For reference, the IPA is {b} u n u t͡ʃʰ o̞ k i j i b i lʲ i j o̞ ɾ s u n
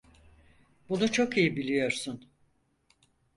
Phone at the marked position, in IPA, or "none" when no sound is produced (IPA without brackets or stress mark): b